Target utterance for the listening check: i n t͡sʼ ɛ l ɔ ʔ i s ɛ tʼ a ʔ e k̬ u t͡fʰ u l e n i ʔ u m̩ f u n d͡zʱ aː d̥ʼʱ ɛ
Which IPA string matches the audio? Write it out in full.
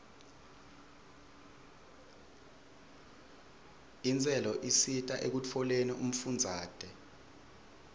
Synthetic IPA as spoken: i n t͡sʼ ɛ l ɔ ʔ i s i tʼ a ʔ e k̬ u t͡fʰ ɔ l e n i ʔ u m̩ f u n d͡zʱ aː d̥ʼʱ ɛ